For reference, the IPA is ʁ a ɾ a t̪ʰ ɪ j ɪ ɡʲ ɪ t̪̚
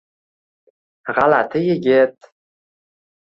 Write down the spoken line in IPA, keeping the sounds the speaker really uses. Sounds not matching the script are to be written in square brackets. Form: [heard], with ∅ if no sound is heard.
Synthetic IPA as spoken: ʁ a [l] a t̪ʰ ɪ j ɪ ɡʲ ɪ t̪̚